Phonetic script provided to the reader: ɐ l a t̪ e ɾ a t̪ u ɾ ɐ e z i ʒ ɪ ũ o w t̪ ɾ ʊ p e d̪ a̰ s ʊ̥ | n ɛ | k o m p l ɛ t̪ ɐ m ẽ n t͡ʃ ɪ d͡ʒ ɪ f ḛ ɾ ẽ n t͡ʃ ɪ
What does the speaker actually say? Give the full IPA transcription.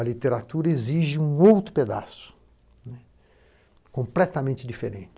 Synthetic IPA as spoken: ɐ l i t̪ e ɾ a t̪ u ɾ ɐ e z i ʒ ɪ ũ o w t̪ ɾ ʊ p e d̪ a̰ s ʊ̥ | n ɛ | k õ m p l ɛ t̪ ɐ m ẽ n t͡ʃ ɪ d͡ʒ i f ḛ ɾ ẽ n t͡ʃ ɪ